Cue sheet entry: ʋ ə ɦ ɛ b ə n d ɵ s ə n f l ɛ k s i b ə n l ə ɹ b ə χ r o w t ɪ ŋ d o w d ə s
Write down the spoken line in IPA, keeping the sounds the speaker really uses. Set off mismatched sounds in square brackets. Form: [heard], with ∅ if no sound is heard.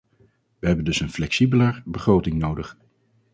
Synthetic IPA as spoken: ʋ ə ɦ ɛ b ə n d ɵ s ə n f l ɛ k s i b ə [∅] l ə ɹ b ə χ r o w t ɪ ŋ [n] o w d ə [χ]